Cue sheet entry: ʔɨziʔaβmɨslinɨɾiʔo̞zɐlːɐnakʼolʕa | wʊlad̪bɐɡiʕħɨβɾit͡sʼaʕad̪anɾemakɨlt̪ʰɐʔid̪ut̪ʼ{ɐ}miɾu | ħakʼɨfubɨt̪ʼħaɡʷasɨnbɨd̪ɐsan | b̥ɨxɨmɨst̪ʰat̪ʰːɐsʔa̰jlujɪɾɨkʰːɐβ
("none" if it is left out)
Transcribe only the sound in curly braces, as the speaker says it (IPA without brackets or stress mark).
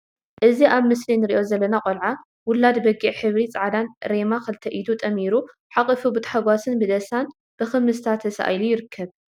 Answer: ɐ